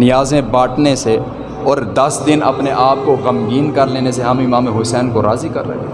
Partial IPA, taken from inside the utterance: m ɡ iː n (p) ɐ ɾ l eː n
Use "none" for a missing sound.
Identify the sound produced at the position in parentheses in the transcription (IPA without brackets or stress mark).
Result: k